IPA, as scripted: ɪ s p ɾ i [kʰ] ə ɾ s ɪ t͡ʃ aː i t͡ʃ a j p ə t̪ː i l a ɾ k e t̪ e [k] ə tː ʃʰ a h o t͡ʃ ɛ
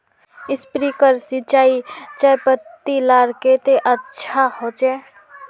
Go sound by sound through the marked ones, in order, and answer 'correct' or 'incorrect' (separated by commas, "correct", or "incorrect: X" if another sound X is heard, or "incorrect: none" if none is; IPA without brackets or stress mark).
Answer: incorrect: k, incorrect: ʔ